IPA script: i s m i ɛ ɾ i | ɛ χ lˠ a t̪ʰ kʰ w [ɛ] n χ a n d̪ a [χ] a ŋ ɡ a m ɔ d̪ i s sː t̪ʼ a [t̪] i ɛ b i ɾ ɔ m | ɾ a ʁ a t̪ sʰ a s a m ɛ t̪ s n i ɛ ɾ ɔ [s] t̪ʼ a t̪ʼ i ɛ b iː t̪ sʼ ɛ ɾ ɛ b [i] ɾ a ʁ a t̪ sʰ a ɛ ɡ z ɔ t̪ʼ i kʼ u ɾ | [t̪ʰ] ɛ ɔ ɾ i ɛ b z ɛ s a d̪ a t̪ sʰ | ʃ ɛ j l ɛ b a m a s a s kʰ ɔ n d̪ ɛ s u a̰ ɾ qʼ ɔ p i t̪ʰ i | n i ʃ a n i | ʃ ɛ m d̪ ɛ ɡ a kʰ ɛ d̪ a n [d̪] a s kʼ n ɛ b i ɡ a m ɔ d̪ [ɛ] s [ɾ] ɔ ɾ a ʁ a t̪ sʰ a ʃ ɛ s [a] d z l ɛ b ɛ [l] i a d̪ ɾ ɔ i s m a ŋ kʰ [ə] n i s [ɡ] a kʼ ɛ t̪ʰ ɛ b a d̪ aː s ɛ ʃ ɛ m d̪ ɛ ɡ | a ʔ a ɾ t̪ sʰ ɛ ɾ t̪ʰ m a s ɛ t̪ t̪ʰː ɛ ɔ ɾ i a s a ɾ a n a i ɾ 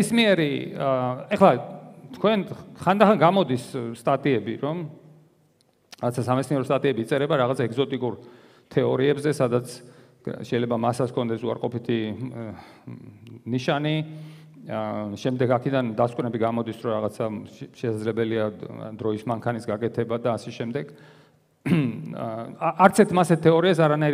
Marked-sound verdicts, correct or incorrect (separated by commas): correct, correct, incorrect, correct, incorrect, correct, correct, incorrect, correct, correct, correct, incorrect, correct